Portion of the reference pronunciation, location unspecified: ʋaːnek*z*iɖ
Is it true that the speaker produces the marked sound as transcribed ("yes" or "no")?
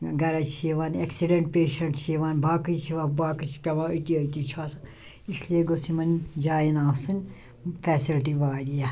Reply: no